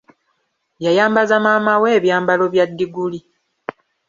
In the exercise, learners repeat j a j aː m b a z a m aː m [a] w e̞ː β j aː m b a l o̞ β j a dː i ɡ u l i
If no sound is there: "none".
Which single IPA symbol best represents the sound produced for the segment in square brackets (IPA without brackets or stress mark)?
a